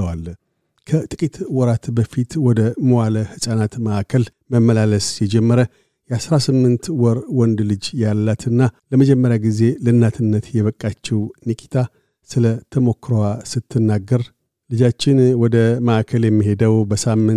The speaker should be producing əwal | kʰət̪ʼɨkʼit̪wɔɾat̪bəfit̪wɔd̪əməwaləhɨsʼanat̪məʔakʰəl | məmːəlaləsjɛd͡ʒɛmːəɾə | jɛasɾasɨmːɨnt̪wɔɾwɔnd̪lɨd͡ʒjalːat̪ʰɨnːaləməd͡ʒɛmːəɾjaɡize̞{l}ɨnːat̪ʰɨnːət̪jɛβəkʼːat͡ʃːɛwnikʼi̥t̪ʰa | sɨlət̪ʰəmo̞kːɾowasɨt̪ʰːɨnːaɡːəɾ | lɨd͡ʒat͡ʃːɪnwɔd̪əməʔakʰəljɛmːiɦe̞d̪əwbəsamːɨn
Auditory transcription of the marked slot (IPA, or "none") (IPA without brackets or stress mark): l